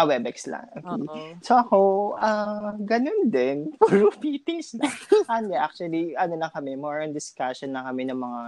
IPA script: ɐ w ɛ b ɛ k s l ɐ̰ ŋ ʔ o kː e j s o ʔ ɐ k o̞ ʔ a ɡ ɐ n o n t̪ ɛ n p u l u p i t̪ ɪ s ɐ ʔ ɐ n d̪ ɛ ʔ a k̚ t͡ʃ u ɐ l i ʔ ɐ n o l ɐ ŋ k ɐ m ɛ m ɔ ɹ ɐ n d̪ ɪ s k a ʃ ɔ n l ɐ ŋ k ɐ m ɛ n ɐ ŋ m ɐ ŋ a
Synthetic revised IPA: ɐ w ɛ b ɛ k s l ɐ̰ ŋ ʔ o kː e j s o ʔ ɐ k o̞ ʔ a ɡ ɐ n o n d̪ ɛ n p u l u p i t̪ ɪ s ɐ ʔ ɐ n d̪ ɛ ʔ a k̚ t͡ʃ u ɐ l i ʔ ɐ n o l ɐ ŋ k ɐ m ɛ m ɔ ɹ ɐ n d̪ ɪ s k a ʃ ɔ n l ɐ ŋ k ɐ m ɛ n ɐ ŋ m ɐ ŋ a